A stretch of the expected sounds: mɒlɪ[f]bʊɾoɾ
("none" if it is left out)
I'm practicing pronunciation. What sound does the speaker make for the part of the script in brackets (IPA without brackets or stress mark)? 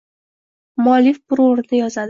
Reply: f